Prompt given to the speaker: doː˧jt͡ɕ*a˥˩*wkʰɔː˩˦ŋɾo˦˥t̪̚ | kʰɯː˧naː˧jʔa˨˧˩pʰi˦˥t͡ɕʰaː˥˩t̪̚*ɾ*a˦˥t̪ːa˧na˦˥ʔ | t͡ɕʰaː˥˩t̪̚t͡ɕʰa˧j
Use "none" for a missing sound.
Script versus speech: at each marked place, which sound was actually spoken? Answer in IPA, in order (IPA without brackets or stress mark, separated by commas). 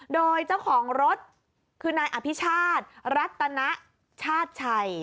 a˥˩, ɾ